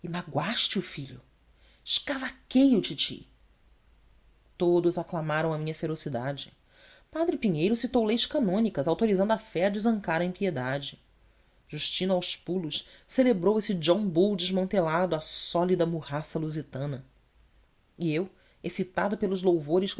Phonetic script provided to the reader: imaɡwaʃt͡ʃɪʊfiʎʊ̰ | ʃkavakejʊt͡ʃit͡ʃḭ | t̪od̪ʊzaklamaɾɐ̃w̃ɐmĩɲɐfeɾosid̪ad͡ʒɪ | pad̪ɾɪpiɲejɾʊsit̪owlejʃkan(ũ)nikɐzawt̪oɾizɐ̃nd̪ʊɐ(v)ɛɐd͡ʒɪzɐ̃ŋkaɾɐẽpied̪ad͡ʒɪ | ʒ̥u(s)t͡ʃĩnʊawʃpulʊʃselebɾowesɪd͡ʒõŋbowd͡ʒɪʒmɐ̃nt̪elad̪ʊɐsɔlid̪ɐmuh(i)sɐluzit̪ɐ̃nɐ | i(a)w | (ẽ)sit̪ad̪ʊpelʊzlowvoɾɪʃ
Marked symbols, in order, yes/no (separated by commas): no, no, no, no, no, no